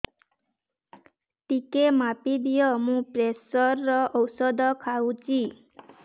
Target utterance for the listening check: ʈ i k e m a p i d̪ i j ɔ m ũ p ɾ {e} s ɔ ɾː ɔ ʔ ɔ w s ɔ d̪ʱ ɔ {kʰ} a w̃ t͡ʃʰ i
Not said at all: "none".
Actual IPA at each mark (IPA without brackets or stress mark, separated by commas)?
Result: e, kʰ